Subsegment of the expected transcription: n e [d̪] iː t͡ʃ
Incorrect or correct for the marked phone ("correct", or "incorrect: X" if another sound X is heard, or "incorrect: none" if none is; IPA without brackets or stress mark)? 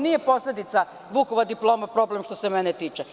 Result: incorrect: t̪